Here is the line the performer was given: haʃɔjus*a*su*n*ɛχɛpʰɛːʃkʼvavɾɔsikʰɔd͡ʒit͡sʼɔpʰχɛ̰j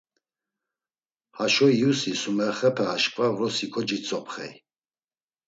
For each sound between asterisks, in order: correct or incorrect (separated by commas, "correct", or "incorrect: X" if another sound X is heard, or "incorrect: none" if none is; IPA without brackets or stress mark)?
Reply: incorrect: i, incorrect: m